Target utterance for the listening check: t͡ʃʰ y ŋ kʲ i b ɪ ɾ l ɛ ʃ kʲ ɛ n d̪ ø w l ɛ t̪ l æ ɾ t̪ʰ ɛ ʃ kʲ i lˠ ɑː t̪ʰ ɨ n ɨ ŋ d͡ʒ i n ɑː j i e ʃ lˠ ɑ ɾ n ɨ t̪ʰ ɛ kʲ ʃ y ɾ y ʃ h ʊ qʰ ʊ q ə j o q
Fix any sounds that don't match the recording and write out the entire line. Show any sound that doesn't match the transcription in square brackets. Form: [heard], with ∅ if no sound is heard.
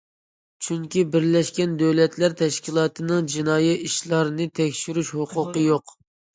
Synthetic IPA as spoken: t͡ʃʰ y ŋ kʲ i b ɪ ɾ l ɛ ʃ kʲ ɛ n d̪ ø w l ɛ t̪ l æ ɾ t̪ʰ ɛ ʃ kʲ i lˠ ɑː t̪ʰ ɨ n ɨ ŋ d͡ʒ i n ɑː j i [i] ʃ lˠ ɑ ɾ n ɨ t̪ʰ ɛ kʲ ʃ y ɾ y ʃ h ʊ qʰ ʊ q ə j o q